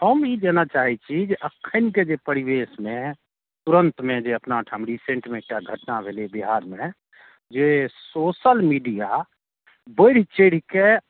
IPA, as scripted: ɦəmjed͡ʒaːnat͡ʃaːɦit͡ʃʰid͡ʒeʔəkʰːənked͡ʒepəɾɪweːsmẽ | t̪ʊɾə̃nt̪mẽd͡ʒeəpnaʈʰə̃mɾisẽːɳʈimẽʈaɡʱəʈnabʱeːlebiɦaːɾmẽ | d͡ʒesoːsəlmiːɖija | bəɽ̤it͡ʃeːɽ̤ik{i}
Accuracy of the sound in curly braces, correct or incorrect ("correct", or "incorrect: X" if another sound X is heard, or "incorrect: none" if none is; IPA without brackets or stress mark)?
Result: incorrect: e